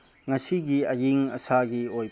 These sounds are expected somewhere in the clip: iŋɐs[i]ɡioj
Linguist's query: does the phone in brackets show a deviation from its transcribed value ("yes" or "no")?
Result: yes